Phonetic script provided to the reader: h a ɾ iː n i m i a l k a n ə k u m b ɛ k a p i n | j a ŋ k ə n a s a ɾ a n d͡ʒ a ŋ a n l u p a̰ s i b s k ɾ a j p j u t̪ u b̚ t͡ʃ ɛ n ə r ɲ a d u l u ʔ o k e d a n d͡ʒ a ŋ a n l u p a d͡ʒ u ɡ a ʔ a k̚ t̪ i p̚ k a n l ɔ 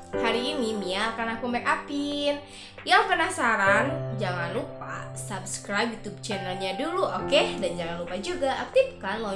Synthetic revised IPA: h a ɾ iː n i m i a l k a n a k u m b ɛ k a p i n | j a ŋ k ə n a s a ɾ a n d͡ʒ a ŋ a n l u p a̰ s a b s k ɾ a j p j u t̪ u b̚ t͡ʃ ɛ n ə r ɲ a d u l u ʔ o k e d a n d͡ʒ a ŋ a n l u p a d͡ʒ u ɡ a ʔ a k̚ t̪ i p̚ k a n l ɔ